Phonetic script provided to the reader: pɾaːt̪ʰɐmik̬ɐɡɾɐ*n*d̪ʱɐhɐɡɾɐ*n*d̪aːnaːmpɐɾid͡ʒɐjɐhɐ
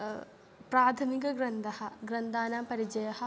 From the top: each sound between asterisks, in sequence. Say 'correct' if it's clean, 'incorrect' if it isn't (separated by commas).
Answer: correct, correct